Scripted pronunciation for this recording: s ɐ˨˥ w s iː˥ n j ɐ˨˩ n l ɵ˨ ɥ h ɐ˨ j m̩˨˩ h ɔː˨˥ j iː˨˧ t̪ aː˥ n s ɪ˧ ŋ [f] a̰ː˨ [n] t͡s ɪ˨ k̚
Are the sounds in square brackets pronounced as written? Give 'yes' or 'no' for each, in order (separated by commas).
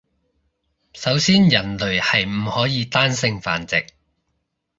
yes, yes